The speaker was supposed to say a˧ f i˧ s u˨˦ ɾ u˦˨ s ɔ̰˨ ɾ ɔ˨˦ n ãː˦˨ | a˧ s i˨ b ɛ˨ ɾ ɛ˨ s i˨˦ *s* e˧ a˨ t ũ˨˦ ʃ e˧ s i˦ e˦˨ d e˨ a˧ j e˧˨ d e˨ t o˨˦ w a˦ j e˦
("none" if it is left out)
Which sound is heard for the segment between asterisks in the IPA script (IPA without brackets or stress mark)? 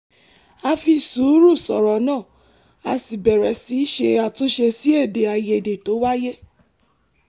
ʃ